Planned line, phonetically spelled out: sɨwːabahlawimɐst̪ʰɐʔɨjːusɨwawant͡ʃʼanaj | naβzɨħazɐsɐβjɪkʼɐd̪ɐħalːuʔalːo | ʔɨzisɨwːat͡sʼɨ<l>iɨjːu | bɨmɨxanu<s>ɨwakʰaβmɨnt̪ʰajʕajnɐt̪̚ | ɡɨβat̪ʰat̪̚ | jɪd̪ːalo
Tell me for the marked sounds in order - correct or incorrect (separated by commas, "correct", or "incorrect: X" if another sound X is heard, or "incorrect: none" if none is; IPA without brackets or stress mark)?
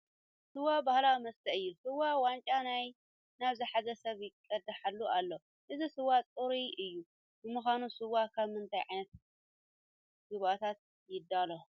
incorrect: ɾ, correct